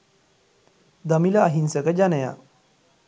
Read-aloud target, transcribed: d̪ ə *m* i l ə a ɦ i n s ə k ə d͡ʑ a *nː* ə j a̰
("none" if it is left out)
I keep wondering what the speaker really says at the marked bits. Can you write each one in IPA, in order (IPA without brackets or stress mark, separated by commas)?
m, n